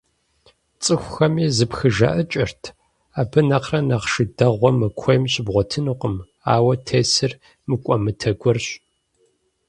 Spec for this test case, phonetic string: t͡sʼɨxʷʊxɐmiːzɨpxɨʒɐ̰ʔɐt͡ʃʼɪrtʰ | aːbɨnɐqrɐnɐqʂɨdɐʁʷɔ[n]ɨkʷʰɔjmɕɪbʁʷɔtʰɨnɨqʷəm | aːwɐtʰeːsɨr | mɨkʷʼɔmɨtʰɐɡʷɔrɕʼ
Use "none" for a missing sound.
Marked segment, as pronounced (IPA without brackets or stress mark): m